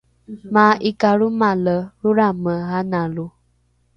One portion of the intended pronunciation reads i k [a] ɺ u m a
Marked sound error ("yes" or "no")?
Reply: no